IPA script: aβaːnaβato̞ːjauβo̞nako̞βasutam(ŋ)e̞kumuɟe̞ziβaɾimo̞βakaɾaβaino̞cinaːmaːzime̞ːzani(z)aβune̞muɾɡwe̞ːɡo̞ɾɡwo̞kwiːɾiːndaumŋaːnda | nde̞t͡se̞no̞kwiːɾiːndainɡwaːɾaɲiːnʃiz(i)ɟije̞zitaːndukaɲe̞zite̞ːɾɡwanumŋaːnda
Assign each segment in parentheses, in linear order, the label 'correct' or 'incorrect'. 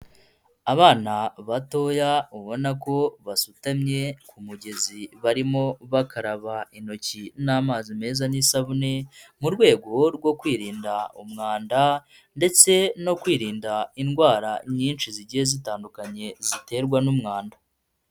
incorrect: ɲ, incorrect: s, correct

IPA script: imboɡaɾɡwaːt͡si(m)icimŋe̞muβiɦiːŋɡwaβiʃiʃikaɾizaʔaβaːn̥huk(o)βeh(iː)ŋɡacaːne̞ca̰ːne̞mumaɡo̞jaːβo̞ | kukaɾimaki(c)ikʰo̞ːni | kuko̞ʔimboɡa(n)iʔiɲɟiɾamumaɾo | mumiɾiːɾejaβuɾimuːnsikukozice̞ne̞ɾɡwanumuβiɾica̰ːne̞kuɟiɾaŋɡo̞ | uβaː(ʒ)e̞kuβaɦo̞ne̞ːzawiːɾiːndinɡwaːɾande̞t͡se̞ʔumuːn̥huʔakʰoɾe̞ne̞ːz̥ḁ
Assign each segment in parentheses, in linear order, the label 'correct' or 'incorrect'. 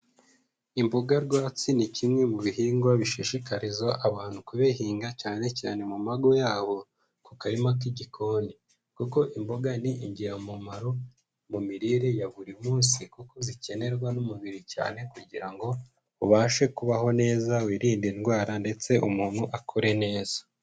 incorrect: n, incorrect: u, correct, incorrect: ɟ, correct, incorrect: ʃ

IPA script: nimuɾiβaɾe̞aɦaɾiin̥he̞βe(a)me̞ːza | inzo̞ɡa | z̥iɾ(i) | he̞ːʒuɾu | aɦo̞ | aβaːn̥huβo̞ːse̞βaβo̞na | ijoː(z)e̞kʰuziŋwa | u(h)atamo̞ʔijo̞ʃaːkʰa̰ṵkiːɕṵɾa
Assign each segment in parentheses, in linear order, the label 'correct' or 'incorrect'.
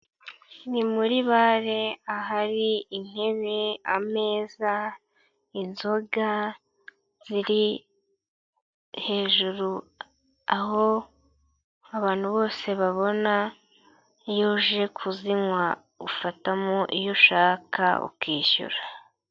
correct, correct, incorrect: ʒ, incorrect: f

